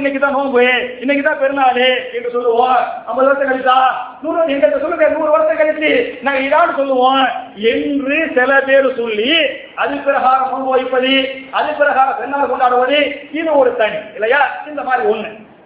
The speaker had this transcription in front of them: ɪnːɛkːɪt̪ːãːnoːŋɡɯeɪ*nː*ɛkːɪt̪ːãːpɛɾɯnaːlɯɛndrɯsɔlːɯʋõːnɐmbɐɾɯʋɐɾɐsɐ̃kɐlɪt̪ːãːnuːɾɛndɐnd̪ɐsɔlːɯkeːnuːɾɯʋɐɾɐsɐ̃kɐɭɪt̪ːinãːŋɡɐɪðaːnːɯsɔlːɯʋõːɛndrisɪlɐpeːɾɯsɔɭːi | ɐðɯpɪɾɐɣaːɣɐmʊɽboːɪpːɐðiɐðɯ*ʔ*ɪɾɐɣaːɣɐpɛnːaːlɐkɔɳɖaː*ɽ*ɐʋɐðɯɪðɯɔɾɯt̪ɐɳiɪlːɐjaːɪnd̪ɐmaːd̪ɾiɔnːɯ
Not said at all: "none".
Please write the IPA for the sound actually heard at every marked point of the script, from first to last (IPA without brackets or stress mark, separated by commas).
nː, p, ɽ